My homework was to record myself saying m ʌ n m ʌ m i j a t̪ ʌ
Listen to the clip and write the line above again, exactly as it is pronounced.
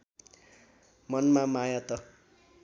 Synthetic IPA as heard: m ʌ n m a m a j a t̪ ʌ